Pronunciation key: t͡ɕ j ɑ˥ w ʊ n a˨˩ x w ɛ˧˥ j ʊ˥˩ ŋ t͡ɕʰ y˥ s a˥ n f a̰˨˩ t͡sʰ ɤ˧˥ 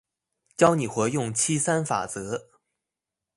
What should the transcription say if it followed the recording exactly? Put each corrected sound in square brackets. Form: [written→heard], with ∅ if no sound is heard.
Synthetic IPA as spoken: t͡ɕ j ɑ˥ [w→∅] ʊ n [a˨˩→i˨˩] x w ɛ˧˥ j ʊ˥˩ ŋ t͡ɕʰ [y˥→i˥] s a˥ n f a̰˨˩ [t͡sʰ→t͡s] ɤ˧˥